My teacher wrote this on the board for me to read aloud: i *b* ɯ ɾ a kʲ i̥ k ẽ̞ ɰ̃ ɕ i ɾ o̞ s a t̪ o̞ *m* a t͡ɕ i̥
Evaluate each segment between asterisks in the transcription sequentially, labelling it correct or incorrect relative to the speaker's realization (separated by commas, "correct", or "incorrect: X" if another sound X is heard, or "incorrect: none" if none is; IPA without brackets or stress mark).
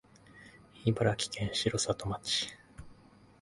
correct, correct